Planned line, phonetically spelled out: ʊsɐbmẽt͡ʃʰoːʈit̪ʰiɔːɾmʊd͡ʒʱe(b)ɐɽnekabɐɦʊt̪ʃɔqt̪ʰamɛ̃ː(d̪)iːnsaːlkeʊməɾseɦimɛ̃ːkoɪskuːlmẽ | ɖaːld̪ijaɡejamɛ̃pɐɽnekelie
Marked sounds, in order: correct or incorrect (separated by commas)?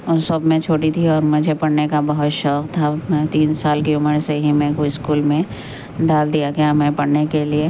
incorrect, incorrect